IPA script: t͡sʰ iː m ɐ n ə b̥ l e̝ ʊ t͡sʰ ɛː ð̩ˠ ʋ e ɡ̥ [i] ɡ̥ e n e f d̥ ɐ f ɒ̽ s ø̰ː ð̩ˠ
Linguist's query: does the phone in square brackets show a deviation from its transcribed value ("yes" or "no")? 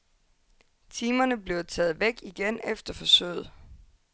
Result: no